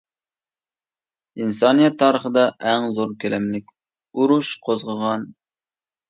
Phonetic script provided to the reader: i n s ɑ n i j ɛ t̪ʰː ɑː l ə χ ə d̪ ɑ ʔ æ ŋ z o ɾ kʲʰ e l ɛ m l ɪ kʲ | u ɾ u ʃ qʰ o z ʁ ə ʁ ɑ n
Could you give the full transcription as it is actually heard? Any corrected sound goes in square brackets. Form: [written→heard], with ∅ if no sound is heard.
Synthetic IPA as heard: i n s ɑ n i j ɛ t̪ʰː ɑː [l→ɾ] ə χ ə d̪ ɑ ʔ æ ŋ z o ɾ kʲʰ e l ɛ m l ɪ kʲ | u ɾ u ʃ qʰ o z ʁ ə ʁ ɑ n